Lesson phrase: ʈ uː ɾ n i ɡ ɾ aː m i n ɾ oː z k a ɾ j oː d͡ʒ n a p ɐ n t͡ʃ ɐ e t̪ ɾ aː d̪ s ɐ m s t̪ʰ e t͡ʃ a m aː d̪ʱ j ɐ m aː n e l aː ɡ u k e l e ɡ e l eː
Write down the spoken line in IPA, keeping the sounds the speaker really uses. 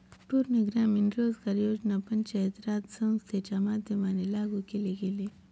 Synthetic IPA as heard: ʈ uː ɾ n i ɡ ɾ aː m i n ɾ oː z k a ɾ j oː d͡ʒ n a p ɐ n t͡ʃ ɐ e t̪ ɾ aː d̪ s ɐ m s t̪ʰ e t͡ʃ a m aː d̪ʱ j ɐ m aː n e l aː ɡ u k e l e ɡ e l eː